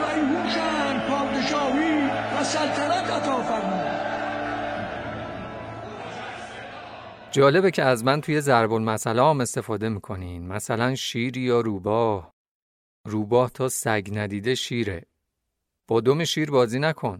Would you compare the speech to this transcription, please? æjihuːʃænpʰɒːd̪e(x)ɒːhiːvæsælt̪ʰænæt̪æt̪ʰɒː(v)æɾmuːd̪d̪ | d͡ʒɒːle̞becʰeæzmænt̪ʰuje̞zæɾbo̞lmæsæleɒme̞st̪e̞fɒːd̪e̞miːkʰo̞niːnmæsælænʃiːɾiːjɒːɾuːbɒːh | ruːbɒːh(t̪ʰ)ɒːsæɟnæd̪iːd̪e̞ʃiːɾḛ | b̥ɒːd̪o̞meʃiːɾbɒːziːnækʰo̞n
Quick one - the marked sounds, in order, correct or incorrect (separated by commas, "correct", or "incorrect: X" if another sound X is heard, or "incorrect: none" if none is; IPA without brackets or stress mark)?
incorrect: ʃ, incorrect: f, correct